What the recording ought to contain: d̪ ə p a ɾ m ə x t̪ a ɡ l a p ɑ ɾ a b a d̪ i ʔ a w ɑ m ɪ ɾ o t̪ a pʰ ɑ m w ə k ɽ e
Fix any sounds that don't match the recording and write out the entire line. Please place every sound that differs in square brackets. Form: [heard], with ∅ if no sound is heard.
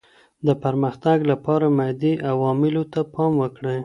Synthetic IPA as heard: d̪ ə p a ɾ m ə x t̪ a ɡ l a p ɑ ɾ a [m] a d̪ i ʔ a w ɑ m ɪ [l] o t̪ a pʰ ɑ m w ə k ɽ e